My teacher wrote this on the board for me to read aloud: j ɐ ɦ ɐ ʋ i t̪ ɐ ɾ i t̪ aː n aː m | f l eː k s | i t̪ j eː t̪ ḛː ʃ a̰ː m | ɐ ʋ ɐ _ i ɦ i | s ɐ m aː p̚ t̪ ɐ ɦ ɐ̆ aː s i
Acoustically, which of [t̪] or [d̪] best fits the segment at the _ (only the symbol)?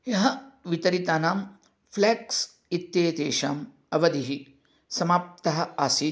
d̪